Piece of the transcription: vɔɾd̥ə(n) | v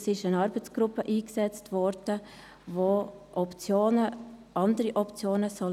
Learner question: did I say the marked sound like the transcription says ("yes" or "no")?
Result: no